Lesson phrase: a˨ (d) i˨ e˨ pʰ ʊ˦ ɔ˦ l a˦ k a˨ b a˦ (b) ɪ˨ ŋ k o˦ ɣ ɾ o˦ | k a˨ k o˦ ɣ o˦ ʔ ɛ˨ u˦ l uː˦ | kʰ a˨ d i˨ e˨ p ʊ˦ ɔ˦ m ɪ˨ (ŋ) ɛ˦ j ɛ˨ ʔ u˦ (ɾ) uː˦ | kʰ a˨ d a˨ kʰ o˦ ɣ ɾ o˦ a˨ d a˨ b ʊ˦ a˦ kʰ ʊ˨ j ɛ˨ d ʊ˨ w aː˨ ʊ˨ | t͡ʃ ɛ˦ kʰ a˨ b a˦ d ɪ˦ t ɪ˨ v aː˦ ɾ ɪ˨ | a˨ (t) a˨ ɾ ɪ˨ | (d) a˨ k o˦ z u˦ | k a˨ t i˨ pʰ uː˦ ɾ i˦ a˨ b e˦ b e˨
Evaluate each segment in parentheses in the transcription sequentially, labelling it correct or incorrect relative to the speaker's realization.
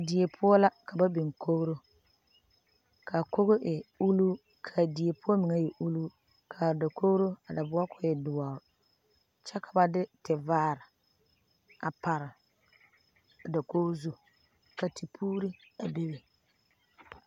correct, correct, correct, incorrect: l, incorrect: p, correct

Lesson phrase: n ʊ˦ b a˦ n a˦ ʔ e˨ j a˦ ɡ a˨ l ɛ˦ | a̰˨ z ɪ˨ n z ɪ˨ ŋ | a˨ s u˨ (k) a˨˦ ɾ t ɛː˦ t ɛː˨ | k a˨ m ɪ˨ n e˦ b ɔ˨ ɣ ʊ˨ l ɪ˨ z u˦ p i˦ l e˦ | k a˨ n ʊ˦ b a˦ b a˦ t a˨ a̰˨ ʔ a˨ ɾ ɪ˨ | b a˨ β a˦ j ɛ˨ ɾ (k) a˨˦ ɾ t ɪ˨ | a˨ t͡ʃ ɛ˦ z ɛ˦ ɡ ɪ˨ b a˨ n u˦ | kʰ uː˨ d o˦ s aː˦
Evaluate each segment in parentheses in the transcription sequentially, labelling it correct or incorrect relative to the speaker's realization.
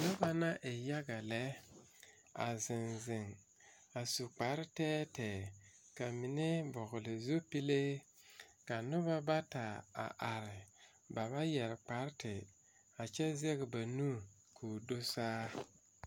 incorrect: k͡p, incorrect: k͡p

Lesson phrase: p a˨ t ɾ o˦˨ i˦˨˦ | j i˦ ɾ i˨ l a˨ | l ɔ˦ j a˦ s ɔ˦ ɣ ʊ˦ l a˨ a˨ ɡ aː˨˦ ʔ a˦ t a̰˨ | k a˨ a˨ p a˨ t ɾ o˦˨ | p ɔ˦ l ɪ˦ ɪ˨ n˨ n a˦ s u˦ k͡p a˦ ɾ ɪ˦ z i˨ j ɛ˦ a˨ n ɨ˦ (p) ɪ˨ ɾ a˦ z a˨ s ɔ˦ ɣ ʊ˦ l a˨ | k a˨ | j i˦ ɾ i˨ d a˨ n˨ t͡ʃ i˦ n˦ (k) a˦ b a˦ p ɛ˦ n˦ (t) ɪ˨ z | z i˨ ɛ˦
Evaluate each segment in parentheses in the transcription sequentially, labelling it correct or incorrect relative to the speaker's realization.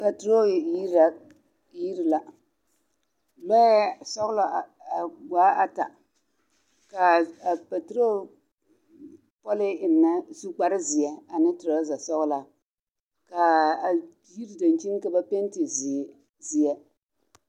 incorrect: t, correct, correct

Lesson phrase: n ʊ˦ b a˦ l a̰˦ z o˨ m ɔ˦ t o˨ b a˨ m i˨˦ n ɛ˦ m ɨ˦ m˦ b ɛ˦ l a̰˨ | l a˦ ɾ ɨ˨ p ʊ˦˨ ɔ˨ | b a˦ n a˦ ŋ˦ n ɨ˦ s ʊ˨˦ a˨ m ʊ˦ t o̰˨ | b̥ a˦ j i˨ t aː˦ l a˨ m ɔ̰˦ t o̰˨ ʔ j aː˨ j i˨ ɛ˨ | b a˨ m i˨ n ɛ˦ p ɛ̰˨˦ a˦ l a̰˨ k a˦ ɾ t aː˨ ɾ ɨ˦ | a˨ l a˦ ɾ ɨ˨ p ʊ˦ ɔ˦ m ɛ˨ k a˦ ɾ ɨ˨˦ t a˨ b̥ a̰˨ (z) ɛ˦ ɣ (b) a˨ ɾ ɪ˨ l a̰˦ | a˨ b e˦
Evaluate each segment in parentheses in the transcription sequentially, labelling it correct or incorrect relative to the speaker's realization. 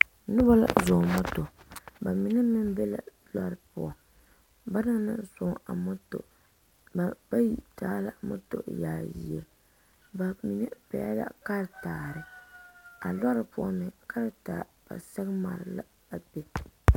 incorrect: s, incorrect: m

